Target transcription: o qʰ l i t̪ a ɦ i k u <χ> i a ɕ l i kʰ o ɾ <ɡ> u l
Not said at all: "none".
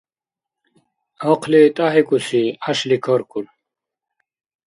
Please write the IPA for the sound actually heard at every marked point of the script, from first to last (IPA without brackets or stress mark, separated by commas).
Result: s, k